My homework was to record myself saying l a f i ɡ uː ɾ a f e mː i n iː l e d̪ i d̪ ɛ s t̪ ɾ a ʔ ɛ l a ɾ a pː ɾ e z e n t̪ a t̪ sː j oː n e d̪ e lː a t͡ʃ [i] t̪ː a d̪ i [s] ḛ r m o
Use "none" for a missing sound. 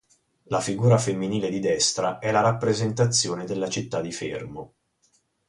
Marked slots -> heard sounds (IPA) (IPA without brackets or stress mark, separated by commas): i, f